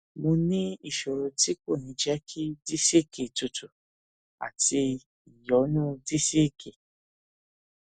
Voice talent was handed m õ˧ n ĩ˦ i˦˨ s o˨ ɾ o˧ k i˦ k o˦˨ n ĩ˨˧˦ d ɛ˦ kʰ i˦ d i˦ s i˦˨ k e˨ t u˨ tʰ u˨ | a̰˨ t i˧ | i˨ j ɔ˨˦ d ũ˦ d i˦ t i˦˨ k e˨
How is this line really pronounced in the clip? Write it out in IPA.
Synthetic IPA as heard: m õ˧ n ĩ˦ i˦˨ ʃ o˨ ɾ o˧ t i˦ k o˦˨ n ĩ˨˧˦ d͡ʒ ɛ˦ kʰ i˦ d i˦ s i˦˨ k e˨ t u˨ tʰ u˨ | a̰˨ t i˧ | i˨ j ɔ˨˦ n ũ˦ d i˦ s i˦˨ k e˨